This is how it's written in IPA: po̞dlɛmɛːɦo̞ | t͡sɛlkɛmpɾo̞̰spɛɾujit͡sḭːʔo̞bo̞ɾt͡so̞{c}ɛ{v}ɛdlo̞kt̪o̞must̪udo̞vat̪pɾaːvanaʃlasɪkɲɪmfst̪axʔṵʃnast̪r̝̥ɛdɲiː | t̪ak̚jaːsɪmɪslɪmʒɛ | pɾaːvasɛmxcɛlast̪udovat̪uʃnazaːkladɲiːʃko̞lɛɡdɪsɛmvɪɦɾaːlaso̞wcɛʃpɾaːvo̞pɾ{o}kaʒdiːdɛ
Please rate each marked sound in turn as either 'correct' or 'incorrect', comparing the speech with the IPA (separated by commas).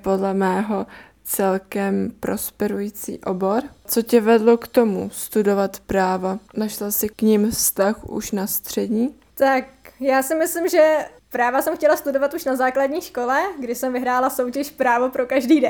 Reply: correct, correct, correct